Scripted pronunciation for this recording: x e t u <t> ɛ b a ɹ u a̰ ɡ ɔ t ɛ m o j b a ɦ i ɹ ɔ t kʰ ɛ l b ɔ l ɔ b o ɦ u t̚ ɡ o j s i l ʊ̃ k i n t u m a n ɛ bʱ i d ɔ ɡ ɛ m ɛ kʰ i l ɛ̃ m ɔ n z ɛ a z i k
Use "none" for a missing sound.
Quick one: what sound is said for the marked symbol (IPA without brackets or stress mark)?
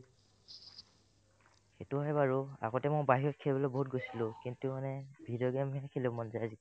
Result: none